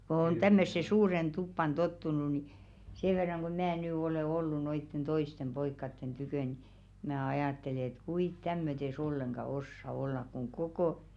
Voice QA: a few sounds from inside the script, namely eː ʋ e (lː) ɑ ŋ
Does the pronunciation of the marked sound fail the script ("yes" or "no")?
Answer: yes